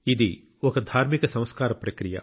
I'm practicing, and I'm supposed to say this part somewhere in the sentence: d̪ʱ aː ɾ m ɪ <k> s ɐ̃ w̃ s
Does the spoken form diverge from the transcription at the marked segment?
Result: no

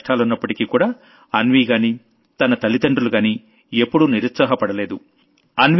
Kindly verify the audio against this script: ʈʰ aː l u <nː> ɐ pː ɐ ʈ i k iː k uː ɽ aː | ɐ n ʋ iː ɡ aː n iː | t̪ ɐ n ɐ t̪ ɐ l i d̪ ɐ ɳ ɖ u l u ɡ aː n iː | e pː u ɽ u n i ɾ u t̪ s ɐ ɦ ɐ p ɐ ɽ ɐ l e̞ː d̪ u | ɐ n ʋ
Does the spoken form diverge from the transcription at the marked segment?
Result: no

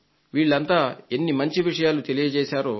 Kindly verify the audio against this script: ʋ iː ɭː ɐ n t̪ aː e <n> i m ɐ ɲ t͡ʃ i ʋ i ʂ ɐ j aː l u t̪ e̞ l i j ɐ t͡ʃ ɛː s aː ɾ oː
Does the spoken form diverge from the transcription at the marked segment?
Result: yes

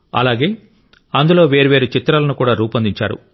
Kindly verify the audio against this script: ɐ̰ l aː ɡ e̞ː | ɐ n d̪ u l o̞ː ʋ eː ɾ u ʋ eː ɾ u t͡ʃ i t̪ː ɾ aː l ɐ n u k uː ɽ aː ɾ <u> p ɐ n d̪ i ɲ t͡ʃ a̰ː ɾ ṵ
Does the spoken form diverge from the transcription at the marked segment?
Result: yes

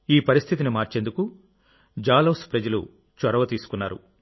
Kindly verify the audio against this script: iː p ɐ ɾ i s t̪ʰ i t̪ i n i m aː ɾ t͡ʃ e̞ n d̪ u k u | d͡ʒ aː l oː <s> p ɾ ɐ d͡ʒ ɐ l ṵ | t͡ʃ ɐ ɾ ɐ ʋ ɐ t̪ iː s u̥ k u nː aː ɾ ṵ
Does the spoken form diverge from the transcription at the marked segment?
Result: no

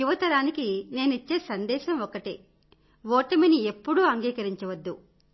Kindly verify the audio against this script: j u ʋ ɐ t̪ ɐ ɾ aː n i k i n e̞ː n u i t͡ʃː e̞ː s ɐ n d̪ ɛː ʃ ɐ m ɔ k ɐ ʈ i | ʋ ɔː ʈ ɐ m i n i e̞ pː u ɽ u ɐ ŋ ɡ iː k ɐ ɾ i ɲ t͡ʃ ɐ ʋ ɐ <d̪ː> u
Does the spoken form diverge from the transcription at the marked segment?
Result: no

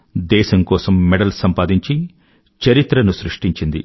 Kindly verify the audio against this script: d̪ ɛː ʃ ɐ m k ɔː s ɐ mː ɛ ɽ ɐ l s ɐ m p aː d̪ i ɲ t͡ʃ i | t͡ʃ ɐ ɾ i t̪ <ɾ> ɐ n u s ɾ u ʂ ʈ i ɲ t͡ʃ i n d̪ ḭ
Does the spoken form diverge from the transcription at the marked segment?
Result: no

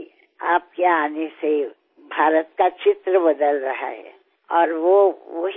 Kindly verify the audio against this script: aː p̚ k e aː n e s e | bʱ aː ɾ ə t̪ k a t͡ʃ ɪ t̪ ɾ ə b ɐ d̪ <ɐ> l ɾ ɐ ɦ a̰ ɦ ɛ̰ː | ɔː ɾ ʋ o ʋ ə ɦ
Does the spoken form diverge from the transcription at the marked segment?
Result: yes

